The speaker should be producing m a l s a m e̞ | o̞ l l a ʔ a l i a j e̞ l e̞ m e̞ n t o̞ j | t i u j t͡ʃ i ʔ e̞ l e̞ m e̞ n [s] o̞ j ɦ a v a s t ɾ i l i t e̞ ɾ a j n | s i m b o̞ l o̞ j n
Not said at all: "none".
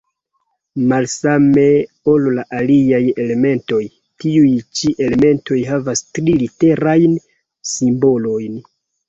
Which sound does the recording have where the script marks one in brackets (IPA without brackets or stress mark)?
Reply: t